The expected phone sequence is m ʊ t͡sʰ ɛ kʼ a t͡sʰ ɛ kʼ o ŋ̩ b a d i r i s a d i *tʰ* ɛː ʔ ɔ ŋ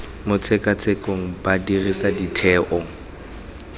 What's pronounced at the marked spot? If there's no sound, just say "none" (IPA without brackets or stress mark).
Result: tʰ